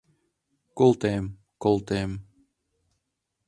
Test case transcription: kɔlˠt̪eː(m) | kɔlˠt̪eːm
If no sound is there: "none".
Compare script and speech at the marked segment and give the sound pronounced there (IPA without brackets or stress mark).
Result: m